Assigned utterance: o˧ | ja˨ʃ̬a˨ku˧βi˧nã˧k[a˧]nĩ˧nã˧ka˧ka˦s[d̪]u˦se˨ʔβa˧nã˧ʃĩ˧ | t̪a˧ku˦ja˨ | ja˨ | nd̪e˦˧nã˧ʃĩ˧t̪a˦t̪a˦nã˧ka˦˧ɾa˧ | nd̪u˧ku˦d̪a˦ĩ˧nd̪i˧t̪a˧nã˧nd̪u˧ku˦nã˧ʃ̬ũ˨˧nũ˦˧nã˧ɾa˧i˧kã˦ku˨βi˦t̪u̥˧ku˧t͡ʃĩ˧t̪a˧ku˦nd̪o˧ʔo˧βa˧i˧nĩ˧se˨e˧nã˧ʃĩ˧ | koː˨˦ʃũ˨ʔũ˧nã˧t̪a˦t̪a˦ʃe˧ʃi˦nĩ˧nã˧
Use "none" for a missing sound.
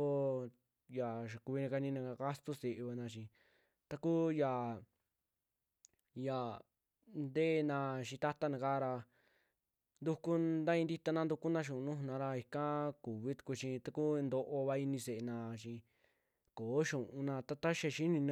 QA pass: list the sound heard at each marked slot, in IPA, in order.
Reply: a˧, t̪

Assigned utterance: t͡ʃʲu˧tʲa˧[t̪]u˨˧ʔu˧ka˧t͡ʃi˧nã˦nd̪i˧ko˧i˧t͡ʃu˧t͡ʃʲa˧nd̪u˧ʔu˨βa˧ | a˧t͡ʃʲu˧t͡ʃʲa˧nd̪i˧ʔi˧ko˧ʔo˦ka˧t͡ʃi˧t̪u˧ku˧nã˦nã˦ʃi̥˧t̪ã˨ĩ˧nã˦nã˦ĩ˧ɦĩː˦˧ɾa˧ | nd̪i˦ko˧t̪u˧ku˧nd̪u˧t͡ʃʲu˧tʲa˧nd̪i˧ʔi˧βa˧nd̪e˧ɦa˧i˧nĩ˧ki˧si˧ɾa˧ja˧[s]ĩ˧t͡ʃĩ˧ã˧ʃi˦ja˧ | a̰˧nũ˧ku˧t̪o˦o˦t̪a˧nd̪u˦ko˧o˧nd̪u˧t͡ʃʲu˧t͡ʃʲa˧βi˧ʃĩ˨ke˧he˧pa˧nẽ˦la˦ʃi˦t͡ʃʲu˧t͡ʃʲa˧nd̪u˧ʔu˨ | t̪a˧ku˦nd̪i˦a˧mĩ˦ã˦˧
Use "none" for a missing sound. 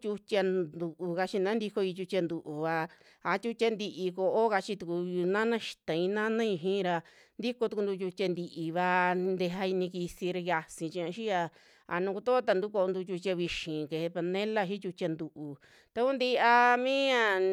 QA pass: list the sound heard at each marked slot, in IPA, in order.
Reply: d̪, s

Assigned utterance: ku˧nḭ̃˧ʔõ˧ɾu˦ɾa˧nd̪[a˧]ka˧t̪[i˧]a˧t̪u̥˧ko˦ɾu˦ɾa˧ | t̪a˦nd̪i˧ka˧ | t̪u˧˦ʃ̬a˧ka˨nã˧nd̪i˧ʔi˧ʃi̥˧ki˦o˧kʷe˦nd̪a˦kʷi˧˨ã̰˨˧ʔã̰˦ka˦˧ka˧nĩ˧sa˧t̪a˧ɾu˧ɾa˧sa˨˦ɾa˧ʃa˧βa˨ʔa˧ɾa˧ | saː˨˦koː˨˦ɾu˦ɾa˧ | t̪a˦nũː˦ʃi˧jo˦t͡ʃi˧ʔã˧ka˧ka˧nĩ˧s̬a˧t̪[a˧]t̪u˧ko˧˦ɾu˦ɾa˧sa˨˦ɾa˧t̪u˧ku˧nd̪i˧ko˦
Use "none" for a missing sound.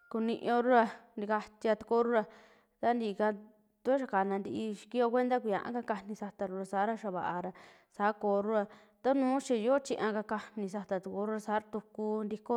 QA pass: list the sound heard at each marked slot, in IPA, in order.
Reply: i˧, i˧, a˧

